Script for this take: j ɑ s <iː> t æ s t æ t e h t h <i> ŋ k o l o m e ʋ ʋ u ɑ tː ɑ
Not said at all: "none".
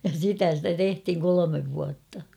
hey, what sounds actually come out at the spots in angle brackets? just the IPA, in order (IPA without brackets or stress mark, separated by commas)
i, i